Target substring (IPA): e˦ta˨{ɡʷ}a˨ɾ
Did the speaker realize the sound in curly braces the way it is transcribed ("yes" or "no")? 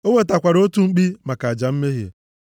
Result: no